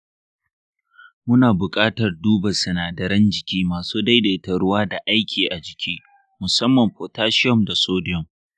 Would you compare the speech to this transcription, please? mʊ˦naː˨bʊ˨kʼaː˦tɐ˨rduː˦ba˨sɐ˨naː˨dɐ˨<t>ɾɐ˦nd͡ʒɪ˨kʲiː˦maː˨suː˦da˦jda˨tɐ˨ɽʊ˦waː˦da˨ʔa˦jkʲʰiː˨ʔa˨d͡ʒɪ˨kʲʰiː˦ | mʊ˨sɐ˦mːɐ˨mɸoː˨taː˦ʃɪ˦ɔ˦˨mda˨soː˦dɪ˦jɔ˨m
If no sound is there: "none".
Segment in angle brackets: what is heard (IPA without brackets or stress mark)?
none